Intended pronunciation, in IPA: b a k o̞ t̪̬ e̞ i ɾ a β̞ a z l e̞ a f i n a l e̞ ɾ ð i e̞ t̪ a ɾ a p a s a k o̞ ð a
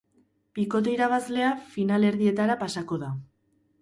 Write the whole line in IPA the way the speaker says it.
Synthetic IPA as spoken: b i k o̞ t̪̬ e̞ i ɾ a β̞ a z l e̞ a f i n a l e̞ ɾ ð i e̞ t̪ a ɾ a p a s a k o̞ ð a